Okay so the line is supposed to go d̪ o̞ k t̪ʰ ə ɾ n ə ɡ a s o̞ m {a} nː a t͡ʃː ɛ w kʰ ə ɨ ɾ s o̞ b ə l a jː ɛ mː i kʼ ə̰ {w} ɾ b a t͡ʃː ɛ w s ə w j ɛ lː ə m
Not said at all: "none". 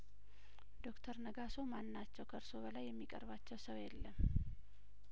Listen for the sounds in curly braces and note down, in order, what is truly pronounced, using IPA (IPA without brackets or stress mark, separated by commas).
a, none